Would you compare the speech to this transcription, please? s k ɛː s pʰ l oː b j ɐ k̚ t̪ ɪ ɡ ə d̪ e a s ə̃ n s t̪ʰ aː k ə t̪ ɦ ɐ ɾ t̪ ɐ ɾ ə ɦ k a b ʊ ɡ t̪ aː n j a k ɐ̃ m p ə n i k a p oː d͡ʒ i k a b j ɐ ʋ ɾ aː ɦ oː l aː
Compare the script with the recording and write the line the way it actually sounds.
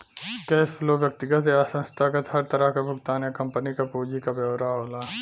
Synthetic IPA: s k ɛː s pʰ l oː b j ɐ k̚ t̪ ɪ ɡ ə t̪ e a s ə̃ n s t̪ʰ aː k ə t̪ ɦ ɐ ɾ t̪ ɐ ɾ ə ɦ k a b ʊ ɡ t̪ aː n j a k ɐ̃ m p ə n i k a p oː d͡ʒ i k a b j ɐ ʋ ɾ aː ɦ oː l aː